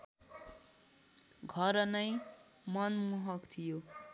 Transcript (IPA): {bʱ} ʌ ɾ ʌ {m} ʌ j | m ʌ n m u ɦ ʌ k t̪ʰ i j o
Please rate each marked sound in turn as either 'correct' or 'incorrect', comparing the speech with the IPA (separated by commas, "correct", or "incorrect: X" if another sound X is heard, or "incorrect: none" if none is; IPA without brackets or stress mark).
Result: incorrect: ɡʱ, incorrect: n